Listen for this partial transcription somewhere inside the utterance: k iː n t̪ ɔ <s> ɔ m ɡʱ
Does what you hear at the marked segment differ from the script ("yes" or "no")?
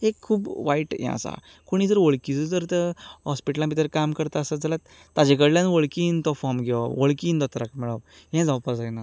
yes